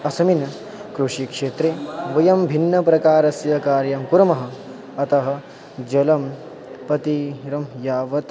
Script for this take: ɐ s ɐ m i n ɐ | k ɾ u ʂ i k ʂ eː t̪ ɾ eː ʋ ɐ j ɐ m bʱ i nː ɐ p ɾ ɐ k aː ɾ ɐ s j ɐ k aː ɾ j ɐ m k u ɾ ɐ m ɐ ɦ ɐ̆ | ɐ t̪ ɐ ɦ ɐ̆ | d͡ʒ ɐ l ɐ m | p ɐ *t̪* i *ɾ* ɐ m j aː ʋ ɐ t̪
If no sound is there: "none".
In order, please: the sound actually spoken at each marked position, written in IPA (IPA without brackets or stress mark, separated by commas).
t̪, ɾ